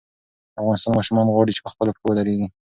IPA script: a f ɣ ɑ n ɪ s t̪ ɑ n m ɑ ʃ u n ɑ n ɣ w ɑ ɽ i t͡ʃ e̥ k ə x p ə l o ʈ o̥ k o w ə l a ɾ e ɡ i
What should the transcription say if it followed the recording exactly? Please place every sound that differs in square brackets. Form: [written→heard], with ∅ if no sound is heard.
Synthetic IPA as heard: a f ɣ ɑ n ɪ s t̪ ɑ n m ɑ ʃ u [n→m] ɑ n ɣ w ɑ ɽ i t͡ʃ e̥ [k→p] ə x p ə l o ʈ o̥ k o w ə l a ɾ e ɡ i